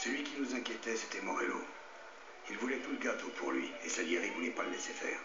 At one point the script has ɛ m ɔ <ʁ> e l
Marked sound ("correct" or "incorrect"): correct